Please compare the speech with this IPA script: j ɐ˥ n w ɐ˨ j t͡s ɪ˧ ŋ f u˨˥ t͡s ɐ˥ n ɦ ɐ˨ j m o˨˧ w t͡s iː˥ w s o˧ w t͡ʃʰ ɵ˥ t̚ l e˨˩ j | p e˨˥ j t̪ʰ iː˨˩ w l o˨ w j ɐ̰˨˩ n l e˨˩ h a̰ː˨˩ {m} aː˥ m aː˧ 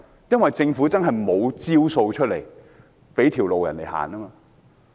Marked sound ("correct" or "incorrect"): incorrect